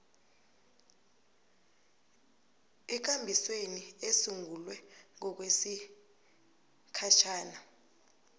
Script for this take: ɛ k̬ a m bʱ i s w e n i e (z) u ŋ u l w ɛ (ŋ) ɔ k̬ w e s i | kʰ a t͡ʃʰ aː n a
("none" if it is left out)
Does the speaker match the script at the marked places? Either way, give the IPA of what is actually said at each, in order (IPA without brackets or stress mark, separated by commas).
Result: s, ŋ